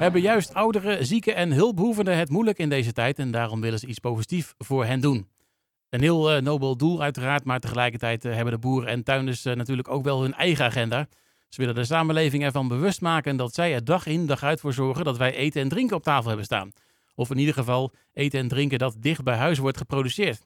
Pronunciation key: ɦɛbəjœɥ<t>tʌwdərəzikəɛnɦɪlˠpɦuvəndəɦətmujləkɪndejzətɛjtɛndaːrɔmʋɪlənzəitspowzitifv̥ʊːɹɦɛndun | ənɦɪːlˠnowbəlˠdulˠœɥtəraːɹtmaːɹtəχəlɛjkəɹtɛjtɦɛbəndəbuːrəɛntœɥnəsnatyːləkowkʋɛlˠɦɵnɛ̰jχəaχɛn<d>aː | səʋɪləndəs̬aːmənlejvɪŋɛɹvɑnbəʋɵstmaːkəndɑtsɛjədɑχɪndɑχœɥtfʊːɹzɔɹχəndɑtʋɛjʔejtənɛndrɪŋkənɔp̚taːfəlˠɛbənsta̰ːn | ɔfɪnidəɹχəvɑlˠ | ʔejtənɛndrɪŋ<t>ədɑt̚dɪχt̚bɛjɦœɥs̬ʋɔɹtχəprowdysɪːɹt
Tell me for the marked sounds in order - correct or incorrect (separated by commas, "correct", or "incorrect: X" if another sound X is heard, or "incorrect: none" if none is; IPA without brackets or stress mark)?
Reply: incorrect: s, correct, incorrect: k